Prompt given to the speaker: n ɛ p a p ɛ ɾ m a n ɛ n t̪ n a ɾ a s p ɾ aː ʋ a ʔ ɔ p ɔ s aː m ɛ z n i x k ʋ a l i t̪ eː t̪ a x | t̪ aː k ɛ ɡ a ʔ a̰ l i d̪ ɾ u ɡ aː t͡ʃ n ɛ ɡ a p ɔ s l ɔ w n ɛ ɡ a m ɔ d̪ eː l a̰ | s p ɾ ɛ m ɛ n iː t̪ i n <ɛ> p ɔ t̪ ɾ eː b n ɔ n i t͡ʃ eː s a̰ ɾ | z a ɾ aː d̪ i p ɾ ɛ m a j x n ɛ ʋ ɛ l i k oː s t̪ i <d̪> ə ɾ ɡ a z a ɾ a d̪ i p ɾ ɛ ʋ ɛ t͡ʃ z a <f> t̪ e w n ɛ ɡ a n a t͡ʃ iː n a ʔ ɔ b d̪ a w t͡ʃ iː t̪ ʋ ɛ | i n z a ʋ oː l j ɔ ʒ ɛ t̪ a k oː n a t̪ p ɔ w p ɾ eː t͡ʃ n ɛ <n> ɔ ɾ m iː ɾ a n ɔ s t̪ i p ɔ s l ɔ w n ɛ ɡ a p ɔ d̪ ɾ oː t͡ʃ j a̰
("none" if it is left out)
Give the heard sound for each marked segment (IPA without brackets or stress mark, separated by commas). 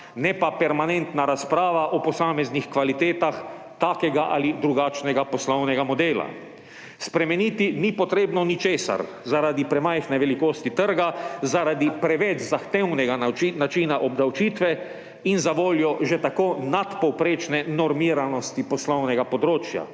i, t̪, x, n